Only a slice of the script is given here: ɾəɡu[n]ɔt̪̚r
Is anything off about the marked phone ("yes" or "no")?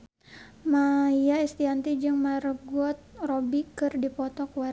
yes